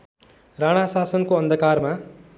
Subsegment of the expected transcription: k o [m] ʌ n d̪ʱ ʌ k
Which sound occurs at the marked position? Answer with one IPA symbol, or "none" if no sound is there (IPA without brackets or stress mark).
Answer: none